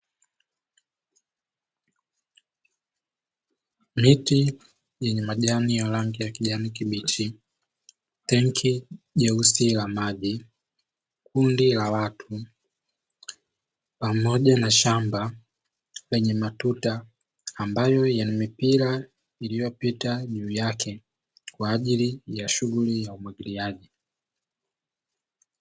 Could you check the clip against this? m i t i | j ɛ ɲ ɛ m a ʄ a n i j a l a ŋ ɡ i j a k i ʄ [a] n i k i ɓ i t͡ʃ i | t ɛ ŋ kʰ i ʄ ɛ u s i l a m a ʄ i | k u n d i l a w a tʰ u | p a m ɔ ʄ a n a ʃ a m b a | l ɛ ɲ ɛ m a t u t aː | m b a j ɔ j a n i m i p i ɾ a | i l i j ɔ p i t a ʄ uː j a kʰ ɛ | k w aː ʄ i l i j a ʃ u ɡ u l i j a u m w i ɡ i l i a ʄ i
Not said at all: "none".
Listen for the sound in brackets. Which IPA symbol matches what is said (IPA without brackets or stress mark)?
a